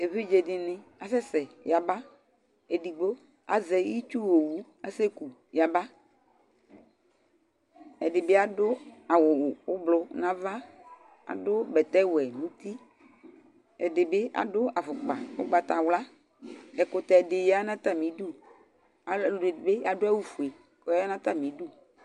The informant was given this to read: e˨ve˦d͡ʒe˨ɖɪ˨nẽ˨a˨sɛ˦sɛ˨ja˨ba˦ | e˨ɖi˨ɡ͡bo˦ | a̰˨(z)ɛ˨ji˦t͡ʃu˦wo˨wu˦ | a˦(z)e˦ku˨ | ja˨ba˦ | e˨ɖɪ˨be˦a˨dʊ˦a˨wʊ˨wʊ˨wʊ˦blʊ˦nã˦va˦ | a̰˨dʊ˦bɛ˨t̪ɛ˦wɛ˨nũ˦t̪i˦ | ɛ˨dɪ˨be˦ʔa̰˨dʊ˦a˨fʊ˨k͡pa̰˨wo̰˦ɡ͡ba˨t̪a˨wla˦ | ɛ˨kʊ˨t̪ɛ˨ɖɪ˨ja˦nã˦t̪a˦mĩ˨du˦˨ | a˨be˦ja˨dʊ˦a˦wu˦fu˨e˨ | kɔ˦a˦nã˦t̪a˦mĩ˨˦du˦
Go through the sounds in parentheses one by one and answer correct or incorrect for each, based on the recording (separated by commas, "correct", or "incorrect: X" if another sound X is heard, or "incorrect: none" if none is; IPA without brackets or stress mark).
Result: correct, incorrect: s